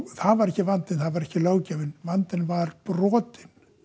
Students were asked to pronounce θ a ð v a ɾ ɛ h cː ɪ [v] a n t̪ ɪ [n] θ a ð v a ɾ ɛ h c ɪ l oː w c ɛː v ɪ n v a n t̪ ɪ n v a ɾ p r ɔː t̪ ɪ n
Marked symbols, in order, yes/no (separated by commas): yes, yes